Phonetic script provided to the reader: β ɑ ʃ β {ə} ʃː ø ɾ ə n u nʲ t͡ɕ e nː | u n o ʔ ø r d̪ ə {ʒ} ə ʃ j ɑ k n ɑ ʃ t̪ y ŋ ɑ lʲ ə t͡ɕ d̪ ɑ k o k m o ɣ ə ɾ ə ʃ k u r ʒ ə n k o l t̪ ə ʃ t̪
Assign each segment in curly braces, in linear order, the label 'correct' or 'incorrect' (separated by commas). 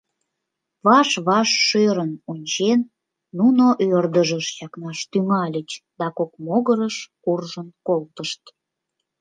incorrect, correct